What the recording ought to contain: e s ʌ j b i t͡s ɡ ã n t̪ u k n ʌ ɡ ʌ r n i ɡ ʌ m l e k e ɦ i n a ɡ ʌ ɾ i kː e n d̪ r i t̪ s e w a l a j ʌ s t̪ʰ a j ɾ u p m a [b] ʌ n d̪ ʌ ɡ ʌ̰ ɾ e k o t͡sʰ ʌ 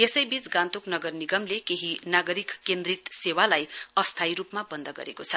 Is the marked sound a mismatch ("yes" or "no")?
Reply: no